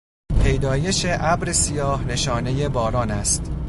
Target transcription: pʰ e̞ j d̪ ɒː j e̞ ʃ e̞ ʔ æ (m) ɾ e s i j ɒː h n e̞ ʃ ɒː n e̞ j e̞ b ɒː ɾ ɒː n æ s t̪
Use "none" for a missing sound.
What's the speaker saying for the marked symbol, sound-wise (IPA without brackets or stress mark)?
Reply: b